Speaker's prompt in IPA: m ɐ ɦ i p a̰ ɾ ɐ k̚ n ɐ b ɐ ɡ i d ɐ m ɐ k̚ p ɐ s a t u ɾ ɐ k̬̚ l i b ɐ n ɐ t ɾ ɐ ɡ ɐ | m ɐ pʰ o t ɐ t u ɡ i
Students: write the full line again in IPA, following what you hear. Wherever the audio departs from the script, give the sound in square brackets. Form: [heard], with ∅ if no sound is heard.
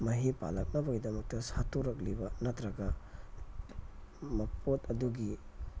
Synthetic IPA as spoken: m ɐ ɦ i p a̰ [l] ɐ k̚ n ɐ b ɐ ɡ i d ɐ m ɐ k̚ [t] ɐ s a t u ɾ ɐ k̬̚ l i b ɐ n ɐ t ɾ ɐ ɡ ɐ | m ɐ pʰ o t ɐ [d] u ɡ i